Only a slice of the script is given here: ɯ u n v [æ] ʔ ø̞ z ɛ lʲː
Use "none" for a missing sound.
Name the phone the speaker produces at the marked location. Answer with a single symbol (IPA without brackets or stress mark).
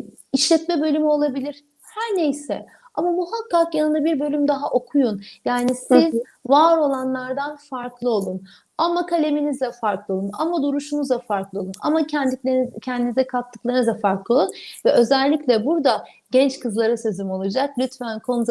ɛ